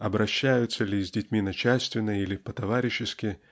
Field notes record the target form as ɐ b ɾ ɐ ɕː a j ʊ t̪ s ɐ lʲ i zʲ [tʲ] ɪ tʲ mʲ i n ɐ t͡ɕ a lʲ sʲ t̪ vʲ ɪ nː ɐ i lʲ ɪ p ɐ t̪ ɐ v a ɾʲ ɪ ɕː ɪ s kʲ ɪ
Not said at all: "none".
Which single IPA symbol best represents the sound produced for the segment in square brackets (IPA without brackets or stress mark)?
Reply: dʲ